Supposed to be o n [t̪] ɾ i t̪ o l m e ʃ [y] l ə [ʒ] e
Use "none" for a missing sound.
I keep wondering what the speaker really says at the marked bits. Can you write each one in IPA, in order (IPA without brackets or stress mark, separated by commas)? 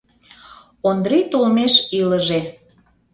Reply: d̪, i, ʒ